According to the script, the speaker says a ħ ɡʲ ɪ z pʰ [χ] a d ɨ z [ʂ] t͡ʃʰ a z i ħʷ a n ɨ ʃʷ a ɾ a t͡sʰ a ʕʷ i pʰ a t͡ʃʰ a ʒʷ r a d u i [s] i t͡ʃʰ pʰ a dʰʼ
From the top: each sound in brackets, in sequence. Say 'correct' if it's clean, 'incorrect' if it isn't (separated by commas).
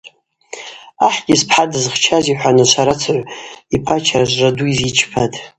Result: incorrect, incorrect, incorrect